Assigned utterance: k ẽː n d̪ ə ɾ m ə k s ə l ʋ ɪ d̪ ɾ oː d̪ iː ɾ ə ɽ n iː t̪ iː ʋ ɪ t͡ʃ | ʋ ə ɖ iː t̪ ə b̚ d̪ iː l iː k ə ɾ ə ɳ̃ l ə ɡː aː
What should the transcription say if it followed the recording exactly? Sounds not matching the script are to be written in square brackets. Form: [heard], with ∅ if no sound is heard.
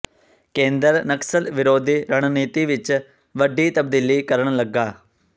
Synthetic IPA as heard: k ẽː n d̪ ə ɾ [n] ə k s ə l ʋ ɪ [∅] ɾ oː d̪ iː ɾ ə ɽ n iː t̪ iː ʋ ɪ t͡ʃ | ʋ ə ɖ iː t̪ ə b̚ d̪ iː l iː k ə ɾ ə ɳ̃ l ə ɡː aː